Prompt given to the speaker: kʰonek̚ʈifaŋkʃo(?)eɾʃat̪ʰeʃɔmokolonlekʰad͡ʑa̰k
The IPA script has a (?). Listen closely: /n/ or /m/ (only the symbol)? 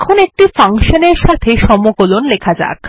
n